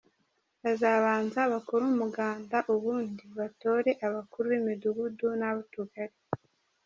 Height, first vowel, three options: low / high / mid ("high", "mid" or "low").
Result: low